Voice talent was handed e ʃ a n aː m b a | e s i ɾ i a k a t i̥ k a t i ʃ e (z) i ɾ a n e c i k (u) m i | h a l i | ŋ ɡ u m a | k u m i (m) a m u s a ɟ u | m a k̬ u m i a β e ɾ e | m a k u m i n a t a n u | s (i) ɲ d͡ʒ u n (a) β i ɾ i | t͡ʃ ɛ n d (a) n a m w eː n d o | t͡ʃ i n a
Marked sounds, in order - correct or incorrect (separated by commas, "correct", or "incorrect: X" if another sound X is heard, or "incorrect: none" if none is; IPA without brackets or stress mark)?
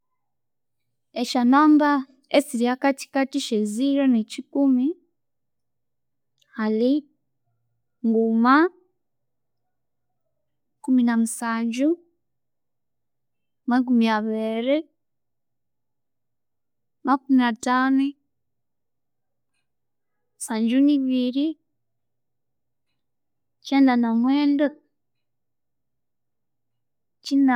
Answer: correct, correct, incorrect: n, incorrect: a, incorrect: i, correct